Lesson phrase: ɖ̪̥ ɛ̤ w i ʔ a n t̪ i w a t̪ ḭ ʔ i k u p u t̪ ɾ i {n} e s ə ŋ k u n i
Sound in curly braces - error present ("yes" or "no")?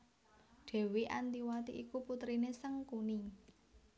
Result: no